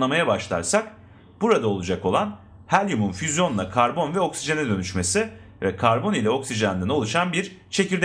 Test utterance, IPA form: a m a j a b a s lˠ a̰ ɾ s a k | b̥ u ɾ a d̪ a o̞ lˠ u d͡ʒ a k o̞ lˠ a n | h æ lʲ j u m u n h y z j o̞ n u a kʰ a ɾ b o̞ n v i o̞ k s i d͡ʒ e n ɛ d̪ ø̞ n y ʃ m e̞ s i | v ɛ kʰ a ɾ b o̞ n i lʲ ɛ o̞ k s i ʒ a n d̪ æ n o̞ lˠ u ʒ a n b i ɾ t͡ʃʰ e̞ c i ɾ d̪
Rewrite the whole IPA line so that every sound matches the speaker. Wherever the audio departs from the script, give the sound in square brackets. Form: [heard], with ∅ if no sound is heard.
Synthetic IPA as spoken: a m a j a b a [ʃ] lˠ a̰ ɾ s a k | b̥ u ɾ a d̪ a o̞ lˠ u d͡ʒ a k o̞ lˠ a n | h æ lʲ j u m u n [f] y z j o̞ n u a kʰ a ɾ b o̞ n v [ɛ] o̞ k s i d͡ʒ e n ɛ d̪ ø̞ n y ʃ m e̞ s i | v ɛ kʰ a ɾ b o̞ n i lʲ ɛ o̞ k s i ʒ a n d̪ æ n o̞ lˠ u [ʃ] a n b i ɾ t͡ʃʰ e̞ c i ɾ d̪

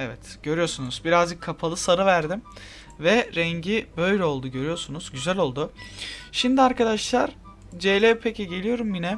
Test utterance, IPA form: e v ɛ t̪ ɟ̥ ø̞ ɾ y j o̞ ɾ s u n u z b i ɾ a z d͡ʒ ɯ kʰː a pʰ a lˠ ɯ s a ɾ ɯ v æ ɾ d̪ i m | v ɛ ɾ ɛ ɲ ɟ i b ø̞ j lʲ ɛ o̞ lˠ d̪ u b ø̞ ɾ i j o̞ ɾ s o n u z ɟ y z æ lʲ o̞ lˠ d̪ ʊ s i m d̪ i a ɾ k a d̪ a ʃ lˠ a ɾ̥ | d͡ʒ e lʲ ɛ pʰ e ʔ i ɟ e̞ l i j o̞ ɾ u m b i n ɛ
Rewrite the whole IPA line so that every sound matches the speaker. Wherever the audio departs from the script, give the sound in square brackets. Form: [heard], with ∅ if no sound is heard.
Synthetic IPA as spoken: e v ɛ t̪ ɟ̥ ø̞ ɾ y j o̞ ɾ s u n u z b i ɾ a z d͡ʒ ɯ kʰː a pʰ a lˠ ɯ s a ɾ ɯ v æ ɾ d̪ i m | v ɛ ɾ ɛ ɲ ɟ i b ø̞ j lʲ ɛ o̞ lˠ d̪ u [ɟ] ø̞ ɾ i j o̞ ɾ s [u] n u z ɟ y z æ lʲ o̞ lˠ d̪ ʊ [ʃ] i m d̪ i a ɾ k a d̪ a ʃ lˠ a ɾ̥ | d͡ʒ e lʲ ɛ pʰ e [c] i ɟ e̞ l i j o̞ ɾ u m b i n ɛ

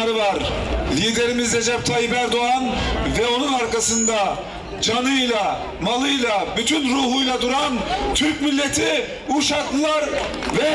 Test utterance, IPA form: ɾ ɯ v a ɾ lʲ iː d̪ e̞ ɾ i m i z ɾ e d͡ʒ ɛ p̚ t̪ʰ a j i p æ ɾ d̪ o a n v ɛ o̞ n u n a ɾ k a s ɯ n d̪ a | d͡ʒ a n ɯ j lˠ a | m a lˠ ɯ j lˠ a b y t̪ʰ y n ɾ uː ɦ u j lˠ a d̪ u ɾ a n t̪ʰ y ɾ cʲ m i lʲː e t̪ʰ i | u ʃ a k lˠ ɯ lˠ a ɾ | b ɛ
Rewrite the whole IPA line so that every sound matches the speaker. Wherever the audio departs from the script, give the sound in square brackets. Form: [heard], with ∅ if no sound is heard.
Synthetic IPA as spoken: ɾ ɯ v a ɾ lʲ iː d̪ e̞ ɾ i m i z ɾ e d͡ʒ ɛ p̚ t̪ʰ a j i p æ ɾ d̪ o a n v ɛ o̞ n u n a ɾ k a s ɯ n d̪ a | d͡ʒ a n ɯ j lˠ a | m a lˠ ɯ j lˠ a b y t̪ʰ y n ɾ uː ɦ u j lˠ a d̪ u ɾ a n t̪ʰ y ɾ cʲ m i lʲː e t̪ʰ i | u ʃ a k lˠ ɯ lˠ a ɾ | [v] ɛ

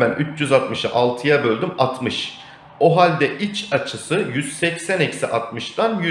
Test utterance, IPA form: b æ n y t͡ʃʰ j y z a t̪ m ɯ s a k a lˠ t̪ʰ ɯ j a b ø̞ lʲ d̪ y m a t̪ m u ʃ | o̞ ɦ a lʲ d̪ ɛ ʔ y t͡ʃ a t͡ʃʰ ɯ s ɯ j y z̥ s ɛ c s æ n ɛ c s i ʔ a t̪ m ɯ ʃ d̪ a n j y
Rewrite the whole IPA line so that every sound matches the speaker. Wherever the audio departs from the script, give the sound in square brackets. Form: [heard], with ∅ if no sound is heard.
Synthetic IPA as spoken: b æ n y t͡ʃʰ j y z a t̪ m ɯ [ʃ] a [ʔ] a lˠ t̪ʰ ɯ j a b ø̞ lʲ d̪ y m a t̪ m [ɯ] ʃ | o̞ ɦ a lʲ d̪ ɛ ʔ [i] t͡ʃ a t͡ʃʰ ɯ s ɯ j y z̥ s ɛ c s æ n ɛ c s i ʔ a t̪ m ɯ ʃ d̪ a n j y

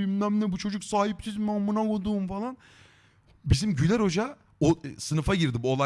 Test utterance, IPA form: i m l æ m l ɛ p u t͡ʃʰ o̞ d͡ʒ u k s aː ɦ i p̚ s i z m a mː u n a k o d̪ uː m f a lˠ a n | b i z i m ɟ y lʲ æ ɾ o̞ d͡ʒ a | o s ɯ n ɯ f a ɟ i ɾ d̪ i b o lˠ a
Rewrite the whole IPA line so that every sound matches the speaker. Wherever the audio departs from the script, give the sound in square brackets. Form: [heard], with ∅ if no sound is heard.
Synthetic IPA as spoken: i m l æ m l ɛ [b] u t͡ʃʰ o̞ d͡ʒ u k s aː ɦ i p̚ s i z m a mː u n a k o d̪ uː m f a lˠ a n | b i z i m ɟ y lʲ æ ɾ o̞ d͡ʒ a | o s ɯ n ɯ f a ɟ i ɾ d̪ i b o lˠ a

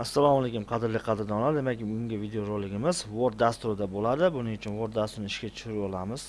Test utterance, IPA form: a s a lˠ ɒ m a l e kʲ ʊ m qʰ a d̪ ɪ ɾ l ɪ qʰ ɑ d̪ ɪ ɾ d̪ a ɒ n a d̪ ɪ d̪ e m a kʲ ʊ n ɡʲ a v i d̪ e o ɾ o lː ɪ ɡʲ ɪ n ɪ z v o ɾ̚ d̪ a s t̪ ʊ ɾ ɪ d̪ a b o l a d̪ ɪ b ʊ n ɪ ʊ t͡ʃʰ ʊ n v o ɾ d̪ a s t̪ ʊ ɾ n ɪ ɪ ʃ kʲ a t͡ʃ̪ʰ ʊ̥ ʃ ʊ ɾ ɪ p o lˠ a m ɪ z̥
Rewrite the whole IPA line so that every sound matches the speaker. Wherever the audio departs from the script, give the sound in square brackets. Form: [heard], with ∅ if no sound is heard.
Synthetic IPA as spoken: a [sː] a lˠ ɒ m a l e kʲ ʊ m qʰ [ɑ] d̪ ɪ ɾ l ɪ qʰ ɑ d̪ ɪ ɾ d̪ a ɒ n a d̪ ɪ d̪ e m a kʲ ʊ [ŋ] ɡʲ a v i d̪ e o ɾ o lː ɪ ɡʲ ɪ [m] ɪ z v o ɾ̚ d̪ a s t̪ ʊ ɾ ɪ d̪ a b o l a d̪ ɪ b ʊ n ɪ ʊ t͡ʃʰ ʊ n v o ɾ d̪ a s t̪ ʊ ɾ n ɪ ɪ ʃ kʲ a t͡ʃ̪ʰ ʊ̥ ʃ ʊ ɾ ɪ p [ɒ] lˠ a m ɪ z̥

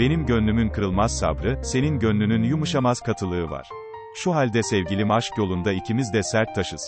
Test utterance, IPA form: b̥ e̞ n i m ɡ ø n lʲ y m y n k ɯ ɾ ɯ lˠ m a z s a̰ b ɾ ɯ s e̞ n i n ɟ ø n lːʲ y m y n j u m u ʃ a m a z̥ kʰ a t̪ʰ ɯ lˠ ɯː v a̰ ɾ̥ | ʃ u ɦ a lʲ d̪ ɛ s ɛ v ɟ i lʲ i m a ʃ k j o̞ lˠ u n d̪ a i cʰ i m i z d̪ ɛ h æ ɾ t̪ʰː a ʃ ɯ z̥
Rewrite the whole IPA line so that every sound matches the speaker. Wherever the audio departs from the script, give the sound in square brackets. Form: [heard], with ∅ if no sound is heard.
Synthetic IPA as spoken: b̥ e̞ n i m [ɟ] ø n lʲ y m y n k ɯ ɾ ɯ lˠ m a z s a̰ b ɾ ɯ s e̞ n i n ɟ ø n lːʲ y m y n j u m u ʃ a m a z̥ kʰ a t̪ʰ ɯ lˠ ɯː v a̰ ɾ̥ | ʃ u ɦ a lʲ d̪ ɛ s ɛ v ɟ i lʲ i m a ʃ k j o̞ lˠ u n d̪ a i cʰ i m i z d̪ ɛ [s] æ ɾ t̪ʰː a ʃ ɯ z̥

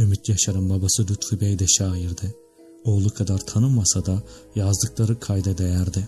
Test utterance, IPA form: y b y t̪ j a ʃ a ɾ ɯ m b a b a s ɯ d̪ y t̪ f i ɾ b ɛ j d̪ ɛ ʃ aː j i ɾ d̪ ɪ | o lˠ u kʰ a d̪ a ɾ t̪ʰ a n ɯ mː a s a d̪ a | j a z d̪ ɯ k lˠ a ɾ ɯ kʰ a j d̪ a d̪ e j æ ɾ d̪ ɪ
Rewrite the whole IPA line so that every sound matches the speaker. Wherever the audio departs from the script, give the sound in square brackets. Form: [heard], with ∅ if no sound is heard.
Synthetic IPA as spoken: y [m] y t̪ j a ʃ a ɾ ɯ m b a b a s ɯ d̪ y t̪ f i [∅] b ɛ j d̪ ɛ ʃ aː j i ɾ d̪ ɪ | o lˠ u kʰ a d̪ a ɾ t̪ʰ a n ɯ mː a s a d̪ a | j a z d̪ ɯ k lˠ a ɾ ɯ kʰ a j d̪ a d̪ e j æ ɾ d̪ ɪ

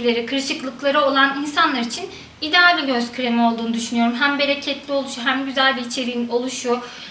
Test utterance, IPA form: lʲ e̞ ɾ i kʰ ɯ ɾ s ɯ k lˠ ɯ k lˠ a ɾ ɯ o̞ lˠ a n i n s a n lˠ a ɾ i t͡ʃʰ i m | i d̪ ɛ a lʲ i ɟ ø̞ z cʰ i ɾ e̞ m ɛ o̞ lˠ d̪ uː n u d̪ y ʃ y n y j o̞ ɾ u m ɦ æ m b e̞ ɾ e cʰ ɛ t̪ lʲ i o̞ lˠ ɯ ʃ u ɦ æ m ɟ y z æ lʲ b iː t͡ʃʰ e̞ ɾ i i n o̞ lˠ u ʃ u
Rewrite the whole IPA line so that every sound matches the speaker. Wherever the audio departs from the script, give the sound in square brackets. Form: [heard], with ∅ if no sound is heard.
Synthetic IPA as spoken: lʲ e̞ ɾ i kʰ ɯ ɾ [ʃ] ɯ k lˠ ɯ k lˠ a ɾ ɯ o̞ lˠ a n i n s a n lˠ a ɾ i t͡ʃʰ i [n] | i d̪ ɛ a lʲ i ɟ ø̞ z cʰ [y] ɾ e̞ m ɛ o̞ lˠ d̪ uː n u d̪ y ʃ y n y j o̞ ɾ u m ɦ æ m b e̞ ɾ e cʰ ɛ t̪ lʲ i o̞ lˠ [u] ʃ u ɦ æ m ɟ y z æ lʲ b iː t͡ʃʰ e̞ ɾ i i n o̞ lˠ u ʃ u

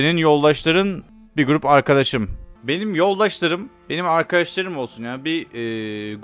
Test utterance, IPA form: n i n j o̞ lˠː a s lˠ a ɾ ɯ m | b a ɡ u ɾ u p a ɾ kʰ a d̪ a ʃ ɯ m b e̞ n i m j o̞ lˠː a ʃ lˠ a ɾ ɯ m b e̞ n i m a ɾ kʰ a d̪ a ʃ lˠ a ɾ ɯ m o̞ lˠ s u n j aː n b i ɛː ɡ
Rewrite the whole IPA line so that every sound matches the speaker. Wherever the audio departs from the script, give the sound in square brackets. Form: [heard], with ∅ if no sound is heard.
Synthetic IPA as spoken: n i n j o̞ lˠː a [ʃ] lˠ a ɾ ɯ [n] | b [i] ɡ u ɾ u p a ɾ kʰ a d̪ a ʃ ɯ m b e̞ n i m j o̞ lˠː a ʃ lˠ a ɾ ɯ m b e̞ n i m a ɾ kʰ a d̪ a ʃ lˠ a ɾ ɯ m o̞ lˠ s u n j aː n b i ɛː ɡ

